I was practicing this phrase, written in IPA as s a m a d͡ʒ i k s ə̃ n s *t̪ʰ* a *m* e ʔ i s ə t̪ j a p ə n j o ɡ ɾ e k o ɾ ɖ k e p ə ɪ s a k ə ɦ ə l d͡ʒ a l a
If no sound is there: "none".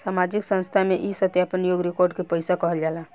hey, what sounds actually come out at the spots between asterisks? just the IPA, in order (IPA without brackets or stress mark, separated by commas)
t̪ʰ, m